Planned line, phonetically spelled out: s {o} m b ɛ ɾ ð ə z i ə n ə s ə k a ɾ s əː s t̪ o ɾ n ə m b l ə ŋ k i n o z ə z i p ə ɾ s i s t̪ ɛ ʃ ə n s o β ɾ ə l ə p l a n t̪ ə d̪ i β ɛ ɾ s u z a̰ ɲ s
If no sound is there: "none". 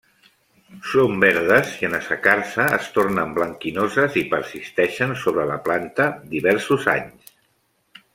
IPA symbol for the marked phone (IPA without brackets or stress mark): o